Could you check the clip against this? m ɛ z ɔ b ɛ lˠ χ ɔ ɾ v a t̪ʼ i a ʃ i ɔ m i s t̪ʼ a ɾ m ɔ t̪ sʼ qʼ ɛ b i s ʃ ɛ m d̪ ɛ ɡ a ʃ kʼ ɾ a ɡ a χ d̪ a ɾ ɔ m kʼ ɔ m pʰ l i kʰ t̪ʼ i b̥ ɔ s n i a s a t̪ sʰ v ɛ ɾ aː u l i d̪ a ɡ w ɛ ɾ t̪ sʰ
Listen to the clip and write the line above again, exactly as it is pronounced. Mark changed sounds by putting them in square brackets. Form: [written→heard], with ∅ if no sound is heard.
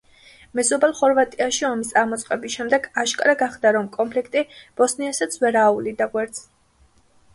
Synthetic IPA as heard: m ɛ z ɔ b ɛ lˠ χ ɔ ɾ v a t̪ʼ i a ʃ i ɔ m i s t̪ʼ a ɾ m ɔ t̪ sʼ qʼ ɛ b i s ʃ ɛ m d̪ ɛ ɡ a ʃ kʼ ɾ a ɡ a χ d̪ a ɾ ɔ m kʼ ɔ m pʰ l i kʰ t̪ʼ i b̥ ɔ s n i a s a t̪ sʰ v ɛ ɾ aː u l i d̪ a ɡ w ɛ ɾ t̪ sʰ